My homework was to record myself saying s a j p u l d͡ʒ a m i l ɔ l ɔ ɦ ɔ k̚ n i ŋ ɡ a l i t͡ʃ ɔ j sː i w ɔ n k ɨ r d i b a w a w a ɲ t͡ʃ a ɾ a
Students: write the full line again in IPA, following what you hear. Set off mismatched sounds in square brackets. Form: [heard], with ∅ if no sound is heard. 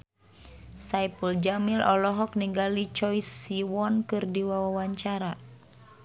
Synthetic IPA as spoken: s a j p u l d͡ʒ a m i l ɔ l ɔ ɦ ɔ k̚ n i ŋ ɡ a l i t͡ʃ ɔ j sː i w ɔ n k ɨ r d i [w] a w a w a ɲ t͡ʃ a ɾ a

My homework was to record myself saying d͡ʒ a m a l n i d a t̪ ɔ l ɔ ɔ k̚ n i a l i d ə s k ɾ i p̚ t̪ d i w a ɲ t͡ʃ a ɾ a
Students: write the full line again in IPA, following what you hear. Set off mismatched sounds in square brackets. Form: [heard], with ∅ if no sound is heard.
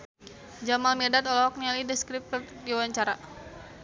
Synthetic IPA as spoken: d͡ʒ a m a l [m] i d a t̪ ɔ l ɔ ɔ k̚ n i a l i d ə s k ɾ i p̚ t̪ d i w a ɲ t͡ʃ a ɾ a

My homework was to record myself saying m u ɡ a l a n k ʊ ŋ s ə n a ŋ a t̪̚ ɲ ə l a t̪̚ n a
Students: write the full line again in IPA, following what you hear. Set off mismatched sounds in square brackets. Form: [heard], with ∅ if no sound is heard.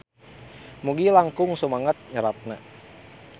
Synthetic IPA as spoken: m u ɡ [i] l a [ŋ] k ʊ ŋ s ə [m] a ŋ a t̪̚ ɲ ə [ɾ] a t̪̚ n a

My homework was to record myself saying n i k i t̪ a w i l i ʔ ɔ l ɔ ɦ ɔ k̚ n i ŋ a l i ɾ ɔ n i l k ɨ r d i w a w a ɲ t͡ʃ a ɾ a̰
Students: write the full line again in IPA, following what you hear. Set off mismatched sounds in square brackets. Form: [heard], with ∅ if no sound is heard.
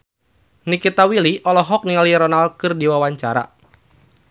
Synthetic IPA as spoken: n i k i t̪ a w i l i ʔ ɔ l ɔ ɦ ɔ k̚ n i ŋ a l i ɾ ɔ n [a] l k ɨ r d i w a w a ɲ t͡ʃ a ɾ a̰

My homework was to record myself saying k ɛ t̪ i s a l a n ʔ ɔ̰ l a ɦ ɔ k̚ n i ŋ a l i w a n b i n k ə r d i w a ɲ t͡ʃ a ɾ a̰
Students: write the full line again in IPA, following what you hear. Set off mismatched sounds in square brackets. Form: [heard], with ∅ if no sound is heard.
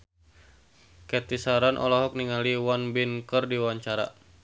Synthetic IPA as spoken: k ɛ t̪ i s a [ɾ] a n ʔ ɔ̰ l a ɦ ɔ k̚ n i ŋ a l i w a n b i n k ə r d i w a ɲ t͡ʃ a ɾ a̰

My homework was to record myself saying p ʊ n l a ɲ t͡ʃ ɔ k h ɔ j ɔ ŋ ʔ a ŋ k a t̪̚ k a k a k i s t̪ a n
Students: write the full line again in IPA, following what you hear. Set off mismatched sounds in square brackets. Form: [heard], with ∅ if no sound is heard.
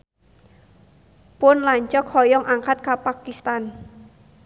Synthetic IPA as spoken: p ʊ n l a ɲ t͡ʃ ɔ k h ɔ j ɔ ŋ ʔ a ŋ k a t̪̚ k a [p] a k i s t̪ a n

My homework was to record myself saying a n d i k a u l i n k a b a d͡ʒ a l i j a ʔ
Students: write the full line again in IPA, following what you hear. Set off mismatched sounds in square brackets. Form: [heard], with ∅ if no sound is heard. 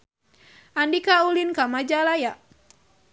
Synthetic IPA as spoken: a n d i k a u l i n k a [m] a d͡ʒ a l [a] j a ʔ

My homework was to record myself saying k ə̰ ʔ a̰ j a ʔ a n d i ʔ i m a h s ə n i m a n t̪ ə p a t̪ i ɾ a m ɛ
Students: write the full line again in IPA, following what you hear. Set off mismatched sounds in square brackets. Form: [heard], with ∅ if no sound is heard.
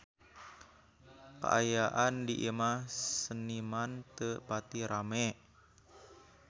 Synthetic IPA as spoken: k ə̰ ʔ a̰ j a ʔ a n d i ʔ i m a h s ə n i m a n t̪ ə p a t̪ i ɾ a m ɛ

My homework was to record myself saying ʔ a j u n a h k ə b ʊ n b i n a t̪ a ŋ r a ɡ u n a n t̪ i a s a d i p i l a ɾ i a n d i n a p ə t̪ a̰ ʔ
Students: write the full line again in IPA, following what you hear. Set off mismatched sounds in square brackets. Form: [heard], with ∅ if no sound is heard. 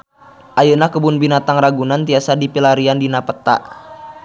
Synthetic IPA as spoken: ʔ a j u n a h k ə b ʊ n b i n a t̪ a ŋ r a ɡ u n a n t̪ i a s a d i p i l a ɾ i a n d i n a p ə t̪ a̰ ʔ

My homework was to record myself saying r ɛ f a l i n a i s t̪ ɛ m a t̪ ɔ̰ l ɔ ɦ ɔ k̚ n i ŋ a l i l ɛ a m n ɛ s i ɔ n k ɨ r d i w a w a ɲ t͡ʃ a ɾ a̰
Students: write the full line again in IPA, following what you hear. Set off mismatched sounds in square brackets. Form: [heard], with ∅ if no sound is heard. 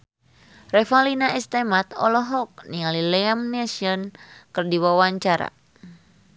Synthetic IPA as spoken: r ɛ f a l i n a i s t̪ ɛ m a t̪ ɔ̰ l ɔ ɦ ɔ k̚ n i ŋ a l i l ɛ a m n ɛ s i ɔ n k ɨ r d i w a w a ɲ t͡ʃ a ɾ a̰

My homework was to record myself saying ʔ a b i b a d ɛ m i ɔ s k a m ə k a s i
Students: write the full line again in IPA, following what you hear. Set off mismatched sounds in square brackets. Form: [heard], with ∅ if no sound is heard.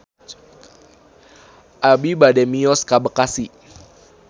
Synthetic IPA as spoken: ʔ a b i b a d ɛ m i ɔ s k a [b] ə k a s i

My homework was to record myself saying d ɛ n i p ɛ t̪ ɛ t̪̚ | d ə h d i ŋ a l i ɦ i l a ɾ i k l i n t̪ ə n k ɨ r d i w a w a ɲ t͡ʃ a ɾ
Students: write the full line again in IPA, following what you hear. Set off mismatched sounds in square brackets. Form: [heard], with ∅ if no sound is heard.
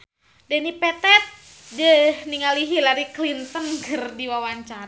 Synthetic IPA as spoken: d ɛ n i p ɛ t̪ ɛ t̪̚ | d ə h [n] i ŋ a l i ɦ i l a ɾ i k l i n t̪ ə n k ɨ r d i w a w a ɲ t͡ʃ a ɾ

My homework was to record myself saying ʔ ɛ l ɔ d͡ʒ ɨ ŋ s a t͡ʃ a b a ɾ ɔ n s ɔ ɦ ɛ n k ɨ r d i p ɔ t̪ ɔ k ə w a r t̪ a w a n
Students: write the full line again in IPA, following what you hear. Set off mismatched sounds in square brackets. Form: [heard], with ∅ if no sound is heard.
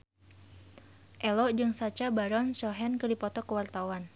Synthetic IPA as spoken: ʔ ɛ l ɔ d͡ʒ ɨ ŋ s a t͡ʃ a b a ɾ ɔ n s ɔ ɦ ɛ n k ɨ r d i p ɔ t̪ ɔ k ə w a r t̪ a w a n

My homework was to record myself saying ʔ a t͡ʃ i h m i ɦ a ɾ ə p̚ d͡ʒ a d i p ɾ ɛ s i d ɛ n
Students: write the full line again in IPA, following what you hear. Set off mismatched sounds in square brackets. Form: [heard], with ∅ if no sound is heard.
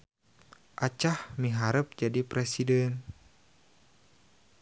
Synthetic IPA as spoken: ʔ a t͡ʃ [a] h m i ɦ a ɾ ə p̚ d͡ʒ a d i p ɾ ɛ s i d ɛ n

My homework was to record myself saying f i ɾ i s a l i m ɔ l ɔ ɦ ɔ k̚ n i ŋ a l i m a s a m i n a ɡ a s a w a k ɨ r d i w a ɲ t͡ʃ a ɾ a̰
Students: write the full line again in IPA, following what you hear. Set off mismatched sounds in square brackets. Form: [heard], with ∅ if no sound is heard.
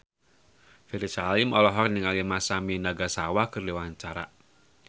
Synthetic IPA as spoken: f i ɾ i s a l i m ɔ l ɔ ɦ ɔ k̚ n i ŋ a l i m a s a m i n a ɡ a s a w a k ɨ r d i w a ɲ t͡ʃ a ɾ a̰

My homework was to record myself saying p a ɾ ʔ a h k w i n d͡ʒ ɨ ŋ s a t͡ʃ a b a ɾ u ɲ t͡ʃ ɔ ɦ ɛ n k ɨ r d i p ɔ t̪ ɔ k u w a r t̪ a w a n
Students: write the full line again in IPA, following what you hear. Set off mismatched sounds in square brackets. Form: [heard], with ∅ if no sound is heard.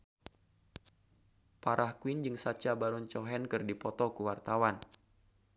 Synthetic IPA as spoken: p a ɾ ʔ a h k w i n d͡ʒ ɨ ŋ s a t͡ʃ a b a ɾ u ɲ t͡ʃ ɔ ɦ ɛ n k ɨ r d i p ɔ t̪ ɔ k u w a r t̪ a w a n

